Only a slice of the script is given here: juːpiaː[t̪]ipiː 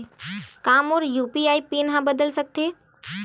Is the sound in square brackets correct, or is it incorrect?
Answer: incorrect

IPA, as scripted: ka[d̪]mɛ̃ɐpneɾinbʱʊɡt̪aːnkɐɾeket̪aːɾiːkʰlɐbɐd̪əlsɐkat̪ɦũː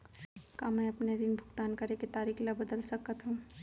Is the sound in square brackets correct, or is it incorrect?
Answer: incorrect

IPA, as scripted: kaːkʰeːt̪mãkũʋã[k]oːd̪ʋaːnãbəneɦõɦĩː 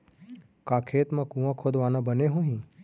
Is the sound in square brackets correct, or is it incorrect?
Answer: incorrect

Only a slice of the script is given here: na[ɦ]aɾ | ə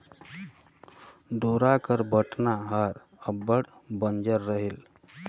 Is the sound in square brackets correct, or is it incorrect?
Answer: correct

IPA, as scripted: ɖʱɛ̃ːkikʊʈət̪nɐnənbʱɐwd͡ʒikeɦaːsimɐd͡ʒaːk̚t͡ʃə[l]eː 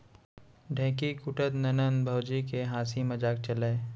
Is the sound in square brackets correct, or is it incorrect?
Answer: correct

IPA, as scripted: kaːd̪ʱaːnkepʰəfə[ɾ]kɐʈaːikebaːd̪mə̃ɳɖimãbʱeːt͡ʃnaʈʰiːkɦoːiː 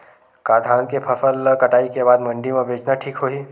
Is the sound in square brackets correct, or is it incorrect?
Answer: incorrect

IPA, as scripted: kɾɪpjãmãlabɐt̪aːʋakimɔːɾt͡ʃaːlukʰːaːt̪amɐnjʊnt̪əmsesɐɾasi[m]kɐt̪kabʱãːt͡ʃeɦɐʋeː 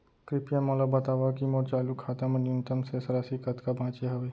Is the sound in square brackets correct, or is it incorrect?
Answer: incorrect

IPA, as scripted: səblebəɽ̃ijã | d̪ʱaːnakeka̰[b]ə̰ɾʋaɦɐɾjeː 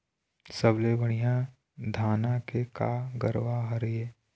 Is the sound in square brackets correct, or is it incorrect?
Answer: incorrect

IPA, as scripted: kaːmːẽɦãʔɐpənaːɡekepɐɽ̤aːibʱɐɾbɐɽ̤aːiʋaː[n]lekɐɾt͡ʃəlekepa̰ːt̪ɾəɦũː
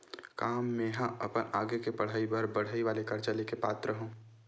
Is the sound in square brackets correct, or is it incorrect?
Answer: incorrect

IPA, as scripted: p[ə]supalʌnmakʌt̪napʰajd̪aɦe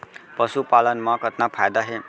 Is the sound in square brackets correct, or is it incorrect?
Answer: incorrect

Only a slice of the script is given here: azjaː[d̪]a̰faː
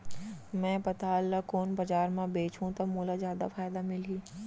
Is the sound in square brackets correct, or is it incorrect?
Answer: correct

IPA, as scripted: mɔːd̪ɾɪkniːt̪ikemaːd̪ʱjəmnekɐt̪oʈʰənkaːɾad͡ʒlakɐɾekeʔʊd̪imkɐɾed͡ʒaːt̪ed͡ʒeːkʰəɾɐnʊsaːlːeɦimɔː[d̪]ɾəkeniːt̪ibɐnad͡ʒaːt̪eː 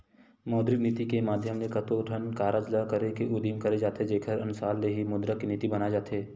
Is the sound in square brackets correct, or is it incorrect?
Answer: correct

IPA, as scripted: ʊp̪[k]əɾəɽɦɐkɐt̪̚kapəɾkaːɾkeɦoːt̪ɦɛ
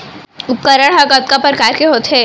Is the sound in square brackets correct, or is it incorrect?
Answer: correct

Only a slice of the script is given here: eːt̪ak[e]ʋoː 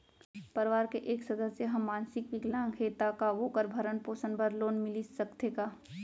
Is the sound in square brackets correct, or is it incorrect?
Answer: incorrect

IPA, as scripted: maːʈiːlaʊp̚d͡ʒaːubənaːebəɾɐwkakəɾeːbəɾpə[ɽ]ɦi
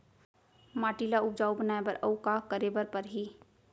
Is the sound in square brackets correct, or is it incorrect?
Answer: incorrect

